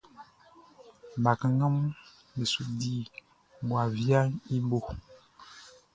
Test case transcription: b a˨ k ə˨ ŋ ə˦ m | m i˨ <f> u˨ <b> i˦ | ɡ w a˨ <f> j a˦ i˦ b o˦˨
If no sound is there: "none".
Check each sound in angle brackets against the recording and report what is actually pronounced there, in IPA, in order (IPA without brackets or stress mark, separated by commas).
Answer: s, d, v